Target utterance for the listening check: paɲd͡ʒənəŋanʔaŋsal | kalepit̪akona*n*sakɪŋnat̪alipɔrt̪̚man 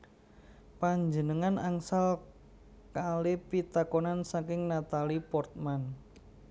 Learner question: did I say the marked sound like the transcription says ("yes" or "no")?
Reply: yes